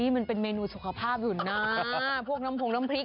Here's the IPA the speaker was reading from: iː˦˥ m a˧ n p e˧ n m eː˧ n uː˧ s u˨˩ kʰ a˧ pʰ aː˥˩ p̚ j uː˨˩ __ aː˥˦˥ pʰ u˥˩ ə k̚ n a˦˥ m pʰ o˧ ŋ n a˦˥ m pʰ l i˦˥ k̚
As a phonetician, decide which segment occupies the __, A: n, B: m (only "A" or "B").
A